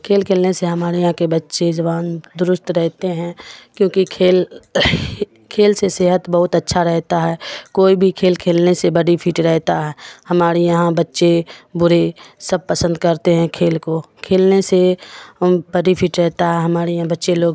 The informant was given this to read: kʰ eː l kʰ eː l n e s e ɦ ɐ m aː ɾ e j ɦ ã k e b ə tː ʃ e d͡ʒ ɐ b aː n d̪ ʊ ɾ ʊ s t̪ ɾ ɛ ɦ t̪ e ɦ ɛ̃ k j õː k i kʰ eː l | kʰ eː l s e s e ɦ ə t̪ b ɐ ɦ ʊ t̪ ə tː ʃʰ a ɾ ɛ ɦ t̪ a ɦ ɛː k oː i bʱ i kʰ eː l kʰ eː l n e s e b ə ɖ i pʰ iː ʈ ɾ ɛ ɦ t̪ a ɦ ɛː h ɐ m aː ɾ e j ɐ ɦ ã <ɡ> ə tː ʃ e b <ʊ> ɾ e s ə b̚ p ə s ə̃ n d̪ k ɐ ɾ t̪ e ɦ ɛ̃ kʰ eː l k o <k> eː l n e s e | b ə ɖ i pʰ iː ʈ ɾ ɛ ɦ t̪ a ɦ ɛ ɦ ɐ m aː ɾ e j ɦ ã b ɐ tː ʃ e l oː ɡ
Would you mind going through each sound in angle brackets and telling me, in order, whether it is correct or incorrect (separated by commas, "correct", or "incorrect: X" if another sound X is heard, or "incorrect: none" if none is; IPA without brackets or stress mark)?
incorrect: b, correct, incorrect: kʰ